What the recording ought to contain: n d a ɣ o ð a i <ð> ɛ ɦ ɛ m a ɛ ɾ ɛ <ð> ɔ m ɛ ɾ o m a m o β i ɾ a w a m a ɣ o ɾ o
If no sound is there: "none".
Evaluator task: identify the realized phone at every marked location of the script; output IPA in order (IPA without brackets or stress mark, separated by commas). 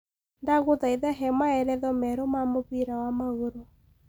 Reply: ð, ð